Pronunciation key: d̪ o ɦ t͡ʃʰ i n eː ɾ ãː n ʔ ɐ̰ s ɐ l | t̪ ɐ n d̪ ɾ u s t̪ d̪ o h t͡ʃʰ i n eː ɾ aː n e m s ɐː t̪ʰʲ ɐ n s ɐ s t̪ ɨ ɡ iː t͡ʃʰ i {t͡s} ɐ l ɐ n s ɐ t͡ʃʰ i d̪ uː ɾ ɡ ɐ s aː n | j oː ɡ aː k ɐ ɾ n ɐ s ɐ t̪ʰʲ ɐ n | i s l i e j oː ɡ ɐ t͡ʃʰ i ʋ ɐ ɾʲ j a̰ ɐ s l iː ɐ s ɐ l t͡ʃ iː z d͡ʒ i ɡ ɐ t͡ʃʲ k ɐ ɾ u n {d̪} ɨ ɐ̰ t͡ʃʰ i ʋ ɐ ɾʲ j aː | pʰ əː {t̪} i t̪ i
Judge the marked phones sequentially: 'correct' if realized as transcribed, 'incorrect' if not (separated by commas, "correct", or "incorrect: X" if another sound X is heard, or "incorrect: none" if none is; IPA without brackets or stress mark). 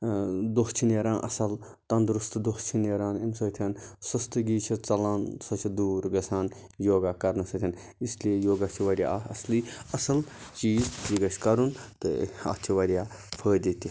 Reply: correct, incorrect: t̪, incorrect: d̪